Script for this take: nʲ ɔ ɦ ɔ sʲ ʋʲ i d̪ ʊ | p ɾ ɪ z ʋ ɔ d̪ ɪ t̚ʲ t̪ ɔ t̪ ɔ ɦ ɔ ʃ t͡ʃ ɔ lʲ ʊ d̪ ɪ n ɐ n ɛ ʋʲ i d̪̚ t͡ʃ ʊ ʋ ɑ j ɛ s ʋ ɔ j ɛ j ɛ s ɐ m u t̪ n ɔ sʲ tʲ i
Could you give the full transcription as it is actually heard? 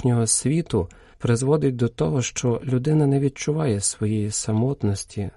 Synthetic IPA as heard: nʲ ɔ ɦ ɔ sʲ ʋʲ i t̪ ʊ | p ɾ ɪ z ʋ ɔ d̪ ɪ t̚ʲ d̪ ɔ t̪ ɔ ɦ ɔ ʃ t͡ʃ ɔ lʲ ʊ d̪ ɪ n ɐ n ɛ ʋʲ i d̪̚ t͡ʃ ʊ ʋ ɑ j ɛ s ʋ ɔ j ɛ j i s ɐ m ɔ t̪ n ɔ sʲ tʲ i